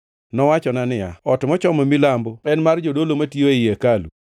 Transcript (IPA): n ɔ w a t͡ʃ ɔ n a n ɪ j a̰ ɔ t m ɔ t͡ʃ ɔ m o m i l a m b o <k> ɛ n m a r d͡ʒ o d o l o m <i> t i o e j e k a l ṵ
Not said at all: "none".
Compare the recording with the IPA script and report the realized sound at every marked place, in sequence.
none, a

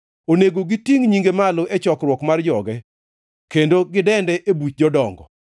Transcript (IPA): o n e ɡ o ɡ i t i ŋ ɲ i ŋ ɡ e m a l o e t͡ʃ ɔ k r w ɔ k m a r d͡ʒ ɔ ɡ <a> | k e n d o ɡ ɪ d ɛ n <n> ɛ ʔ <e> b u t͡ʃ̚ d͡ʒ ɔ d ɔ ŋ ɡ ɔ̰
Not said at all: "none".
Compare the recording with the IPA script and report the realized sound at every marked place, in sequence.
ɛ, d, e

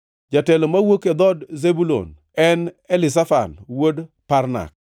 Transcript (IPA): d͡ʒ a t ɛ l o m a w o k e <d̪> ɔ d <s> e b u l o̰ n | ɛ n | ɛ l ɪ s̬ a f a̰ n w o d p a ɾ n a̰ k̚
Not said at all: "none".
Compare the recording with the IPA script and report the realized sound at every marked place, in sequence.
d̪, z

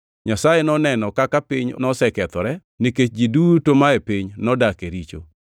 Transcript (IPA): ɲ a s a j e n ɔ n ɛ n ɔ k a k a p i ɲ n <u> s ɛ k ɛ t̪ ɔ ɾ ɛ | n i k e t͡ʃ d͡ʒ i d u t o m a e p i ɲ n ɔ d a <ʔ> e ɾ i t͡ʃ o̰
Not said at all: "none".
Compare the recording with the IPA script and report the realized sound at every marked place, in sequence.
ɔ, k

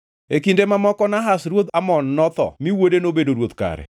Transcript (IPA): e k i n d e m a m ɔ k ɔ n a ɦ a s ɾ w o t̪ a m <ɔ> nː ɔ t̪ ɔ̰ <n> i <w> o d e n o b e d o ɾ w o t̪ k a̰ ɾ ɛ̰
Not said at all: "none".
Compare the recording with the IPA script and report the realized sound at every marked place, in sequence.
ɔ, m, w

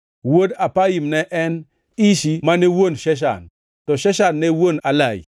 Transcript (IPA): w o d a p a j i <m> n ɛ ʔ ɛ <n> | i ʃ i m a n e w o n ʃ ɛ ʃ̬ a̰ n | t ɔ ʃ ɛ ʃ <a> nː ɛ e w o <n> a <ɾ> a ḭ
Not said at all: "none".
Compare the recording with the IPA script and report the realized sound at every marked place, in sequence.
m, n, a, n, l

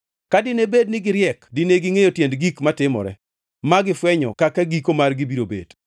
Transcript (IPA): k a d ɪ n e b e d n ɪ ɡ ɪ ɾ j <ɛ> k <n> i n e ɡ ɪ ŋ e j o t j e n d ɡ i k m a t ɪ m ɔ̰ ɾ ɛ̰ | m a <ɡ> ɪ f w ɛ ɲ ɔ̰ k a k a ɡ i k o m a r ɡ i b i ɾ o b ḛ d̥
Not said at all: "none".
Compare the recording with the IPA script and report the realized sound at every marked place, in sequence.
ɛ, d, ɡ

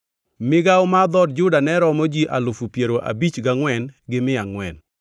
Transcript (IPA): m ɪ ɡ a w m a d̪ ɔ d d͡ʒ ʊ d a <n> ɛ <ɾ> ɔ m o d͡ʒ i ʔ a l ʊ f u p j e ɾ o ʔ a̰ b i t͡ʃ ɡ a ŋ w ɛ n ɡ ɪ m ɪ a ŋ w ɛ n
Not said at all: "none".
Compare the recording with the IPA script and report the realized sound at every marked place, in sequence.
n, ɾ

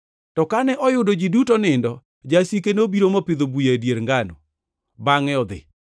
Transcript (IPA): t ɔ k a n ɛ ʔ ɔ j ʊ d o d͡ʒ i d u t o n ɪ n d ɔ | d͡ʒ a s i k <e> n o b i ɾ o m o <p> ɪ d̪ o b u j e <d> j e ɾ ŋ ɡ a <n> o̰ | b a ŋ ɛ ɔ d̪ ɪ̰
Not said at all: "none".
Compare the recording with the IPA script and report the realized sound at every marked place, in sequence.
e, p, d, n

